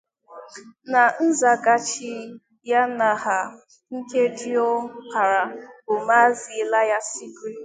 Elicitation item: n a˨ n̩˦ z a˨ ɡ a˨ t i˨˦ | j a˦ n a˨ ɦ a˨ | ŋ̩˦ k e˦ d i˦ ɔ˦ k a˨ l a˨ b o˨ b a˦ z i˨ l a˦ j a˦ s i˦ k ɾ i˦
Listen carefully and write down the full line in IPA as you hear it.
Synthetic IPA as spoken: n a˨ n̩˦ z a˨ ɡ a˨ t͡ʃ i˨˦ | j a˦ n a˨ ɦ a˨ | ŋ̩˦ k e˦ d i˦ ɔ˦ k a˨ ɾ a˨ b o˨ m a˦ z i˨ l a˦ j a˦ s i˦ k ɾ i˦